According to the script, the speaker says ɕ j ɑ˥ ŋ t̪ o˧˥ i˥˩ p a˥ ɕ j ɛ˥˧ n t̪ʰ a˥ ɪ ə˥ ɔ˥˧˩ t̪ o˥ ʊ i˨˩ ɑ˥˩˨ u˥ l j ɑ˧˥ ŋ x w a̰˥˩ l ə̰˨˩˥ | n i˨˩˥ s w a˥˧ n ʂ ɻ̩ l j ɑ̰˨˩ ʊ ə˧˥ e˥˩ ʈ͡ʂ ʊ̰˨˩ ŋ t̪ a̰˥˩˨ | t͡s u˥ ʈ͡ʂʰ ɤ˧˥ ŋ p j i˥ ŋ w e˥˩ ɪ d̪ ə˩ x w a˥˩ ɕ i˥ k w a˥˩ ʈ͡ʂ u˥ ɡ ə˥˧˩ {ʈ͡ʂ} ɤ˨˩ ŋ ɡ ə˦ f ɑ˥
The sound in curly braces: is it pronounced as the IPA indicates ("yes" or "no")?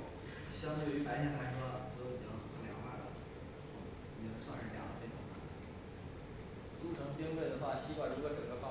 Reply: yes